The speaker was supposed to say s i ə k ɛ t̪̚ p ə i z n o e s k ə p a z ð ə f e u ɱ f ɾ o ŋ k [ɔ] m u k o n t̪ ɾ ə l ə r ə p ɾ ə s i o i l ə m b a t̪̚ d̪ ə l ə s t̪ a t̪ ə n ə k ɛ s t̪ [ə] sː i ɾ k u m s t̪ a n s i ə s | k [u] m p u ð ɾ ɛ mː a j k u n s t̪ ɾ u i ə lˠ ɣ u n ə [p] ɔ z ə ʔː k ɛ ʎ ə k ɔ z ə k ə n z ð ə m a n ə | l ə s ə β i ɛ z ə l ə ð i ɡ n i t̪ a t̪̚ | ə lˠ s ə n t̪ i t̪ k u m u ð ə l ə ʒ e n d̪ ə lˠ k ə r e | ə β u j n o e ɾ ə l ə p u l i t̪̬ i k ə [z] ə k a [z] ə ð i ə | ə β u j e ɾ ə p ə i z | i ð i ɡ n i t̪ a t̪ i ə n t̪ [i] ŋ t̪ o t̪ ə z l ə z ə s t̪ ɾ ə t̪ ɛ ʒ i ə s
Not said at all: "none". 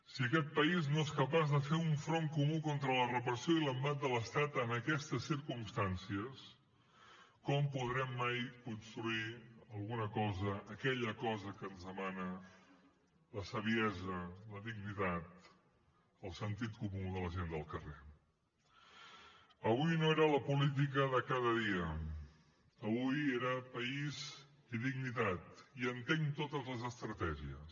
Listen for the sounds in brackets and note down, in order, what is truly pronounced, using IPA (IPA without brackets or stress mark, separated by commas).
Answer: u, ə, ɔ, k, ð, ð, e